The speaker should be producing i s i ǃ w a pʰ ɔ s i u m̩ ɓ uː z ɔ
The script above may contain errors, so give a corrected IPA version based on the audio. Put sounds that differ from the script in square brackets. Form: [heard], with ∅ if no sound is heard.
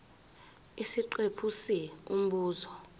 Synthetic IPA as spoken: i s i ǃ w [e] pʰ [u] s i u m̩ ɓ uː z ɔ